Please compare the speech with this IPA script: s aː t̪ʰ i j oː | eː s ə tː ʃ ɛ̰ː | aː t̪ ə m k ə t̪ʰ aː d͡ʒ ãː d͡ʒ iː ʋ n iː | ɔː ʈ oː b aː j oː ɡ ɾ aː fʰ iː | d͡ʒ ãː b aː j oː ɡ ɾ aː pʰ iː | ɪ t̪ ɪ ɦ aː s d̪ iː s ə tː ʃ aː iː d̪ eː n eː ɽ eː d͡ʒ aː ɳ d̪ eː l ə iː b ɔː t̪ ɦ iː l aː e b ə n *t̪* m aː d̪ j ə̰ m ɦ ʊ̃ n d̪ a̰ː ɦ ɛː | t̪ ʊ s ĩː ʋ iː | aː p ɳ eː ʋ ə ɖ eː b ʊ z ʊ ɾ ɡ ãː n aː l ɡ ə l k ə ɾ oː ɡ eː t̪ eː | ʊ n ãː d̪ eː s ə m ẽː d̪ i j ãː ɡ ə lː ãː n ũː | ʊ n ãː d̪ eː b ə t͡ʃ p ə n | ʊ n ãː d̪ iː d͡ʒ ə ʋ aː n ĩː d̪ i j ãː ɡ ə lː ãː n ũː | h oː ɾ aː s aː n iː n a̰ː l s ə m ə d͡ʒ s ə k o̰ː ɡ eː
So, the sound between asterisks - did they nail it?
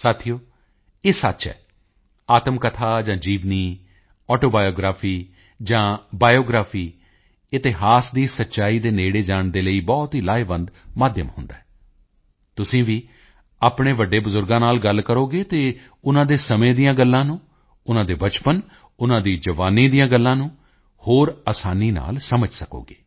no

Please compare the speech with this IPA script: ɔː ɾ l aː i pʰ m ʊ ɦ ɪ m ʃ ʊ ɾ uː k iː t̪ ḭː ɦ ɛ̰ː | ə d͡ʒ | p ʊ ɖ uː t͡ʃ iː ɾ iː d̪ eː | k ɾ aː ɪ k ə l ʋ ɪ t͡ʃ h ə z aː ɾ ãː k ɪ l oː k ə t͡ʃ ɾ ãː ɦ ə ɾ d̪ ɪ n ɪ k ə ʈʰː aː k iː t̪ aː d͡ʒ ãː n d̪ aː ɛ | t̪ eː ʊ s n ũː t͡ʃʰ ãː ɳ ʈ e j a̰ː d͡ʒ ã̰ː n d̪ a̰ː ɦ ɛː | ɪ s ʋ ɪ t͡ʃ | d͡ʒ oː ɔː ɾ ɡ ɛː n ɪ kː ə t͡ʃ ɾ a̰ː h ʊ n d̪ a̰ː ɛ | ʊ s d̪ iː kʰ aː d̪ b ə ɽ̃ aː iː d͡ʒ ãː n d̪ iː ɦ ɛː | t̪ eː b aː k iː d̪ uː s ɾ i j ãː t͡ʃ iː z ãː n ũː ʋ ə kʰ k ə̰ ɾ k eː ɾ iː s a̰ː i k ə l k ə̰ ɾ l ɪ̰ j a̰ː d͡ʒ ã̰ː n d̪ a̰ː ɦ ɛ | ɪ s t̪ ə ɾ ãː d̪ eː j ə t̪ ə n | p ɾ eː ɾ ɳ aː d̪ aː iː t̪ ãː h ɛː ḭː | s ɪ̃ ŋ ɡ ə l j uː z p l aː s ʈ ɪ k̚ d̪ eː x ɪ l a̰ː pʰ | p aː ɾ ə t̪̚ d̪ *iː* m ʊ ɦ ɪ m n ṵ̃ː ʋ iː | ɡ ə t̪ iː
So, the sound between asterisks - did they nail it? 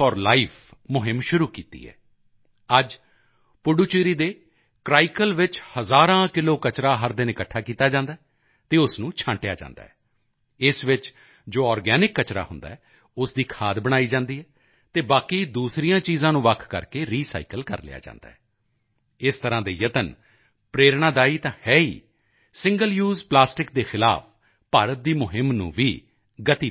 yes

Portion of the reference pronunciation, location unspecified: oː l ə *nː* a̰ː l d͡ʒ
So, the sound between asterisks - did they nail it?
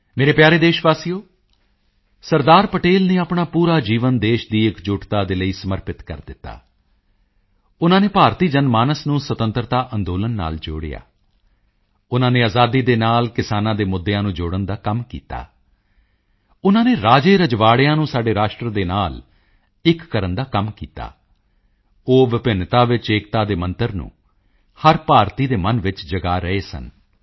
yes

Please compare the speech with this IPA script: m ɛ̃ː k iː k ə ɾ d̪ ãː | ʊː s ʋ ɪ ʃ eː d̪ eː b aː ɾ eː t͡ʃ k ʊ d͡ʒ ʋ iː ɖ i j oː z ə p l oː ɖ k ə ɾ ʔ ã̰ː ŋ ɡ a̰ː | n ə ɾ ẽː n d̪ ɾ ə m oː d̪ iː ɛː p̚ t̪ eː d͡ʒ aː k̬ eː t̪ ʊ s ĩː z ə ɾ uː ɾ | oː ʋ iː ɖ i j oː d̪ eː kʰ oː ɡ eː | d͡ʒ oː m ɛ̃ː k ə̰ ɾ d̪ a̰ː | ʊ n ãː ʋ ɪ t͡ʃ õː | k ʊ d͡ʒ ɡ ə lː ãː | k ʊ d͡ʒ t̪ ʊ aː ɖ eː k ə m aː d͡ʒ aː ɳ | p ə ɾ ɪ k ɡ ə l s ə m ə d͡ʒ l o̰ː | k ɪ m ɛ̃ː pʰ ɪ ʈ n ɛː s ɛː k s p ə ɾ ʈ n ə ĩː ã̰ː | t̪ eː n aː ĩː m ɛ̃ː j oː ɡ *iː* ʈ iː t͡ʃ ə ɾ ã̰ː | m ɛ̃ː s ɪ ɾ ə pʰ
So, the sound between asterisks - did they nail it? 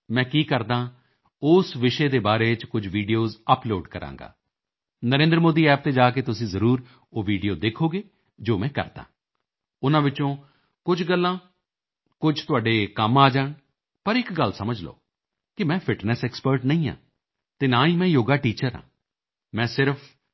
no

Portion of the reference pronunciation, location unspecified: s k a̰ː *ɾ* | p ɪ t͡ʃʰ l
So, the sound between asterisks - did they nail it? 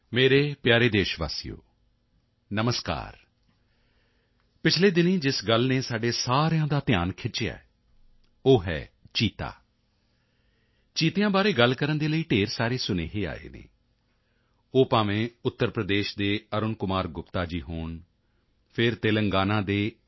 yes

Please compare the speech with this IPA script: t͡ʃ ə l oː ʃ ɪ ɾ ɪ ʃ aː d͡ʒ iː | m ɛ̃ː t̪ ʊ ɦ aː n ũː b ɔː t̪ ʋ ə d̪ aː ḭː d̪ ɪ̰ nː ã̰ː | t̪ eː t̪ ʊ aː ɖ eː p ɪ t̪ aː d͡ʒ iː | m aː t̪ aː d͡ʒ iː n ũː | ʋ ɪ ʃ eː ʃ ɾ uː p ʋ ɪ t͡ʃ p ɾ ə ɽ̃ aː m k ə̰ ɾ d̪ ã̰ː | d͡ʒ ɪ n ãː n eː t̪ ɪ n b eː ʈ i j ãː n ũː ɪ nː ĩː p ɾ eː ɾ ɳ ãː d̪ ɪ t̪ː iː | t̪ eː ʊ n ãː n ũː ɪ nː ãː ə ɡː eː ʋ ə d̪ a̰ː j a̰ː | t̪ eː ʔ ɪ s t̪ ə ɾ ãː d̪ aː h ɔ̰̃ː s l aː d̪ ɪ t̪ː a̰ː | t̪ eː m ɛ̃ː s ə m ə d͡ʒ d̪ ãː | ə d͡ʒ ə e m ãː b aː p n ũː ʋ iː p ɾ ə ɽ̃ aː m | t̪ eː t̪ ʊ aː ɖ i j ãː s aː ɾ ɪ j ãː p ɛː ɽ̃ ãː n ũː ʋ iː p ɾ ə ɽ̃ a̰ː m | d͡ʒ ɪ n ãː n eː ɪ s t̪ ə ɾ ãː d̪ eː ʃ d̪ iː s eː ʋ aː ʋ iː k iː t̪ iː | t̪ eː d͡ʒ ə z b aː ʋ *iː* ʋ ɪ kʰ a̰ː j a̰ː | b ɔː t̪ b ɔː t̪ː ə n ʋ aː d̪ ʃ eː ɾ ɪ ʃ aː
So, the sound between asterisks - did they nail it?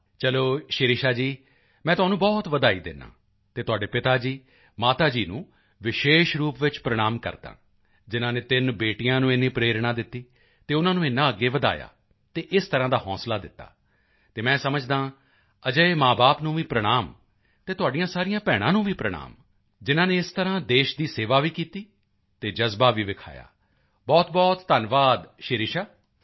yes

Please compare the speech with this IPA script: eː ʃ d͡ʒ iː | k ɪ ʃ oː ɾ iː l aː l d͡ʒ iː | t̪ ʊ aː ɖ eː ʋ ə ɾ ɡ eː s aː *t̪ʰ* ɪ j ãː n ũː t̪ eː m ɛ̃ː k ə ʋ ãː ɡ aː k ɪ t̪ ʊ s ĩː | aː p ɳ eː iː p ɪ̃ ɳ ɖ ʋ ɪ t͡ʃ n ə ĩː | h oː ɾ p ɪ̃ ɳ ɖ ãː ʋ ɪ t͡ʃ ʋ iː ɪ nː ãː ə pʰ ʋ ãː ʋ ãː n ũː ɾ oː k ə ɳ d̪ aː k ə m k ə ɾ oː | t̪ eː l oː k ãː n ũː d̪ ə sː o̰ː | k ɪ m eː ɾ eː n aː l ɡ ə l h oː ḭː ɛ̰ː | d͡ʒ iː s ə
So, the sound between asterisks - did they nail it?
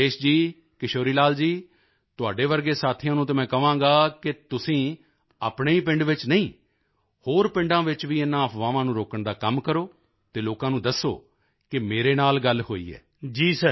yes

